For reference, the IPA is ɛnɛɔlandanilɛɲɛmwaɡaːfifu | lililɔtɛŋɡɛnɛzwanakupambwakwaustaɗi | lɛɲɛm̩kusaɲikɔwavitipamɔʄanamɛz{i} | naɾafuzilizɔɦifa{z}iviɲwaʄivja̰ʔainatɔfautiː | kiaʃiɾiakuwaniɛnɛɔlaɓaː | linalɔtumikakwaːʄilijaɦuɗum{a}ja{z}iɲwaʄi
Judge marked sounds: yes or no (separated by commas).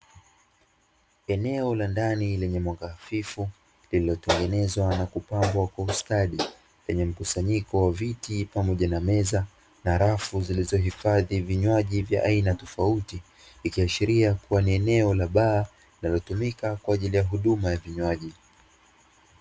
no, no, yes, no